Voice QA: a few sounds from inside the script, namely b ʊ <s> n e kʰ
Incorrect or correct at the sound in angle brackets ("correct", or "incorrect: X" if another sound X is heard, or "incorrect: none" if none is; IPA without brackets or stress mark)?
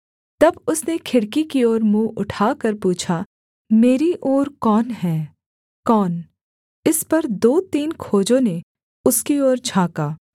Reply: correct